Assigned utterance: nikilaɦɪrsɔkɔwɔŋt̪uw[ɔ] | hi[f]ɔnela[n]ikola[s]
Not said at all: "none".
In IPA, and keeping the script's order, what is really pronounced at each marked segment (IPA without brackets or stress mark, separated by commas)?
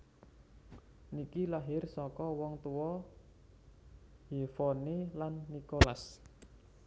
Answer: ɔ, f, nː, s